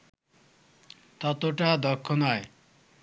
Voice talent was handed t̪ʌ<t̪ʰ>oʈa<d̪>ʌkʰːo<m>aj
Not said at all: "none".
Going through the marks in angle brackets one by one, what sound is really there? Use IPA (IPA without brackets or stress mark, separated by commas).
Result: t̪, d̪, n